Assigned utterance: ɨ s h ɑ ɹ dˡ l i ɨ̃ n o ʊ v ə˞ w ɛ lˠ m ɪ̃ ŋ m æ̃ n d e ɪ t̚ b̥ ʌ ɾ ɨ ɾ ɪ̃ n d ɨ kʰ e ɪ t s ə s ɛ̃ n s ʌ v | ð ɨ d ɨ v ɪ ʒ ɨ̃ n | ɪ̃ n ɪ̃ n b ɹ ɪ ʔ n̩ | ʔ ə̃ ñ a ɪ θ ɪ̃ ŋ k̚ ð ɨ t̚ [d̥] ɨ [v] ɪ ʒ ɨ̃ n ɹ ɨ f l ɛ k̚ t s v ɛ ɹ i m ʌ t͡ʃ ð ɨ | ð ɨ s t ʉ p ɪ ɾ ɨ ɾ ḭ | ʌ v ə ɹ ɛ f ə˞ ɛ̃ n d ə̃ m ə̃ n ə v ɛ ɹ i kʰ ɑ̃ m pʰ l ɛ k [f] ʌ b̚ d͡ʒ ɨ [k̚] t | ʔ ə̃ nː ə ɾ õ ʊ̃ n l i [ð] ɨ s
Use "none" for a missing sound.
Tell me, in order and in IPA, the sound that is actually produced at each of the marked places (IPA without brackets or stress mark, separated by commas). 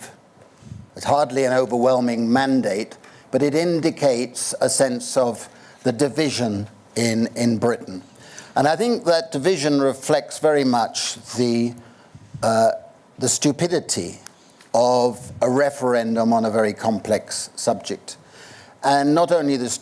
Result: d̥, v, s, k̚, ð